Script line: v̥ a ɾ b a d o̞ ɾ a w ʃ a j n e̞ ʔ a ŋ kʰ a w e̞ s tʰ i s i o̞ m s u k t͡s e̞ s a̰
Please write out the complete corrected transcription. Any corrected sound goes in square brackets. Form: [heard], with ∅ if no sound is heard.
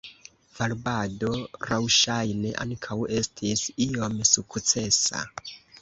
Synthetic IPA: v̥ a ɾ b a d o̞ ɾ a w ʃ a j n e̞ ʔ a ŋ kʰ a w e̞ s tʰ i s i o̞ m s u k t͡s e̞ s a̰

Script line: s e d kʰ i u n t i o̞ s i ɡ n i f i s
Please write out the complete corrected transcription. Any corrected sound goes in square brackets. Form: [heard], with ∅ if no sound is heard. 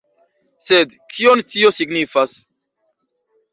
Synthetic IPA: s e d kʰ i [o] n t i o̞ s i ɡ n i f [a] s

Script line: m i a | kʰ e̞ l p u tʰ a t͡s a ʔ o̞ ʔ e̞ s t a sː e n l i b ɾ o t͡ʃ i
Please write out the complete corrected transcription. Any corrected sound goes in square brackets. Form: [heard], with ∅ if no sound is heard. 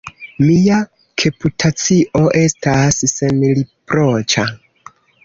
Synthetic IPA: m i a | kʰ e̞ [∅] p u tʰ a t͡s [i] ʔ o̞ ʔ e̞ s t a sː e n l i [p] ɾ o t͡ʃ [a]

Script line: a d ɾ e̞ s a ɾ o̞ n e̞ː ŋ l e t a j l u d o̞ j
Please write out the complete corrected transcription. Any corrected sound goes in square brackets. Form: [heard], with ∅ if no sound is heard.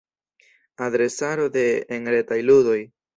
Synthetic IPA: a d ɾ e̞ s a ɾ o̞ [d] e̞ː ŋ [ɾ] e t a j l u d o̞ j

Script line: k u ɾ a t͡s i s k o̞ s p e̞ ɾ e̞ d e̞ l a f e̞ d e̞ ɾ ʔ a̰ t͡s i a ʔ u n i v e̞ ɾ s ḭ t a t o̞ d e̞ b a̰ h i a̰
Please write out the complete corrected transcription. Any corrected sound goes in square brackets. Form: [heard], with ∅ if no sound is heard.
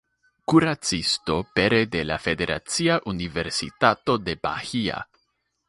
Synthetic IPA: k u ɾ a t͡s i s [t] o̞ [∅] p e̞ ɾ e̞ d e̞ l a f e̞ d e̞ ɾ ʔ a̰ t͡s i a ʔ u n i v e̞ ɾ s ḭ t a t o̞ d e̞ b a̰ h i a̰

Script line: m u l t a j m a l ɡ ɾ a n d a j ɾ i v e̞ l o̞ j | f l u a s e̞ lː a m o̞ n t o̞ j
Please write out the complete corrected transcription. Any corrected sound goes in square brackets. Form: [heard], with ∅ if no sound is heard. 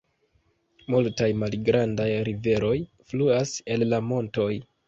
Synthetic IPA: m u l t a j m a l ɡ ɾ a n d a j ɾ i v e̞ [ɾ] o̞ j | f l u a s e̞ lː a m o̞ n t o̞ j

